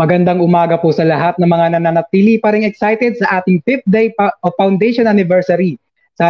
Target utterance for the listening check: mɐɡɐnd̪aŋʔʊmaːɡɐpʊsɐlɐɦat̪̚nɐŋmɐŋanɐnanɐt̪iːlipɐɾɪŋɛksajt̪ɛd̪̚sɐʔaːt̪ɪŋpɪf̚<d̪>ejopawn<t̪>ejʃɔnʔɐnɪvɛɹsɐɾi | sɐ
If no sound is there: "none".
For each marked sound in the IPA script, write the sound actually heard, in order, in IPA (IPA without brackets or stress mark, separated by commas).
d̪, d̪